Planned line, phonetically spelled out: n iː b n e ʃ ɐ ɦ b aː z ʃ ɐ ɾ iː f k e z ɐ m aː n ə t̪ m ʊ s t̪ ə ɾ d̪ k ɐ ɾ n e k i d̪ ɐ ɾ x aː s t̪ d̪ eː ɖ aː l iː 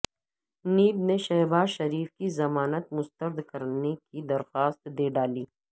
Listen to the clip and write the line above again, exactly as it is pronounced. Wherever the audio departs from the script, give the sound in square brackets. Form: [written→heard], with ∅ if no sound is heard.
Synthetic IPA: n iː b n e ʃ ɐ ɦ b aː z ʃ ɐ ɾ iː f k [e→i] z ɐ m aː n ə t̪ m ʊ s t̪ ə ɾ d̪ k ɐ ɾ n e k i d̪ ɐ ɾ x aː s t̪ d̪ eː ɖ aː l iː